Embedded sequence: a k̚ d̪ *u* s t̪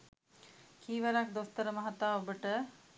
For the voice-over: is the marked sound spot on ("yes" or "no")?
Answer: no